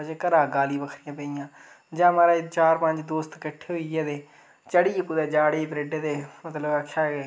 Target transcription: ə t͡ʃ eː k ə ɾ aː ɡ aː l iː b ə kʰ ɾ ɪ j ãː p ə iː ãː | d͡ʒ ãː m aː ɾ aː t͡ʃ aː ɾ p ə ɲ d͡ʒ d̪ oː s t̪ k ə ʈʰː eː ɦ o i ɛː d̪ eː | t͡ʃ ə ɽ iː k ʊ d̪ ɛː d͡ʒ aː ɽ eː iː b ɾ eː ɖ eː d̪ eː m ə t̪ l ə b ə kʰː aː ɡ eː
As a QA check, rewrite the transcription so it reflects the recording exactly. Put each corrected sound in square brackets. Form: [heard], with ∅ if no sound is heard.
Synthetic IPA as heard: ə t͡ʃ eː k ə ɾ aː ɡ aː l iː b ə kʰ ɾ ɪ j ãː p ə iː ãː | d͡ʒ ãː m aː ɾ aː t͡ʃ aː ɾ p ə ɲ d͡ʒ d̪ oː s t̪ k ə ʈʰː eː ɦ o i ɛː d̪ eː | t͡ʃ ə ɽ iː k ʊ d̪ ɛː d͡ʒ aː ɽ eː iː b ɾ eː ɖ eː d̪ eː m ə t̪ l ə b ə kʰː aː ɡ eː